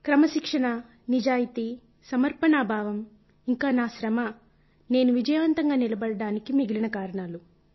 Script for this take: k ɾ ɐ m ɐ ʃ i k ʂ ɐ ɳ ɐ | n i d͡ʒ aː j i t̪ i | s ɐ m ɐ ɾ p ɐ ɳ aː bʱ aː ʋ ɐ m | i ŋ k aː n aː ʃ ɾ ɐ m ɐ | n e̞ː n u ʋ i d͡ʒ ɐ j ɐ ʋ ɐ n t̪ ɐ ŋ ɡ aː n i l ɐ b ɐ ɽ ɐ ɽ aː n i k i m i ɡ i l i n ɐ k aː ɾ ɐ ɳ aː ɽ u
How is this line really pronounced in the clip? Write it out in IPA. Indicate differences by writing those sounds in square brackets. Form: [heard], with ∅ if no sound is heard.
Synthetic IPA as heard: k ɾ ɐ m ɐ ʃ i k ʂ ɐ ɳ ɐ | n i d͡ʒ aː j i t̪ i | s ɐ m ɐ ɾ p ɐ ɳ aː bʱ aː ʋ ɐ m | i ŋ k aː n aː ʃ ɾ ɐ m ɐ | n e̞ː n u ʋ i d͡ʒ ɐ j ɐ ʋ ɐ n t̪ ɐ ŋ ɡ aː n i l ɐ b ɐ ɽ ɐ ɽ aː n i k i m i ɡ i l i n ɐ k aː ɾ ɐ ɳ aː [l] u